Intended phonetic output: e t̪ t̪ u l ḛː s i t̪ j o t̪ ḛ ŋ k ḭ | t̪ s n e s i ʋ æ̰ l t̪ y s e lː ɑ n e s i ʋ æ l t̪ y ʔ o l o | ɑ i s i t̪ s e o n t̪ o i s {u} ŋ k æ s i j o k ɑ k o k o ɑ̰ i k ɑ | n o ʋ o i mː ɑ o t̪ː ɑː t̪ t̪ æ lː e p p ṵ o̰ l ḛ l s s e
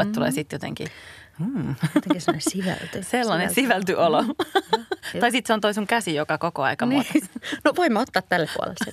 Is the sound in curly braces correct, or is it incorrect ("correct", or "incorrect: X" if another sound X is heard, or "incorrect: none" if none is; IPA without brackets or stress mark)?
correct